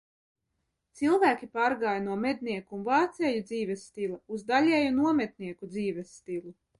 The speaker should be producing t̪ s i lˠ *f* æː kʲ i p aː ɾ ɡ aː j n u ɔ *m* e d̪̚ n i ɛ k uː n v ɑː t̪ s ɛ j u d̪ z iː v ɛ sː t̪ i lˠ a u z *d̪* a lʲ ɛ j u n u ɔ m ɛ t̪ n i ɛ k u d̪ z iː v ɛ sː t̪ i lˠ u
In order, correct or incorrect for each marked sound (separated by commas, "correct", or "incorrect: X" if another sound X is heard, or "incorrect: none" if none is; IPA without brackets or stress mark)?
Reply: incorrect: v, correct, correct